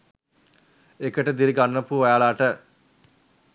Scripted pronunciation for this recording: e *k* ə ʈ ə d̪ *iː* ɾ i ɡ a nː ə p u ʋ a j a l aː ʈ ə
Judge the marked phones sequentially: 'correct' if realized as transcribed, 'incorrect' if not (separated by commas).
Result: correct, incorrect